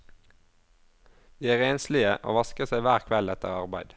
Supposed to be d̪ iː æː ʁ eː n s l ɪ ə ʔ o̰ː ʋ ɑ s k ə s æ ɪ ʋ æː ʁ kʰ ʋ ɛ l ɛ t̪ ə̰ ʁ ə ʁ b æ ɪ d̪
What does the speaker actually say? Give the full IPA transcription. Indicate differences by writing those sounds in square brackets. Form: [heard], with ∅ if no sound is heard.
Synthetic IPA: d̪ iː æː ʁ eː n s l ɪ ə ʔ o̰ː ʋ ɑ s k ə s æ ɪ ʋ æː ʁ kʰ ʋ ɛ l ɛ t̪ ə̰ ʁ [ɑ] ʁ b æ ɪ d̪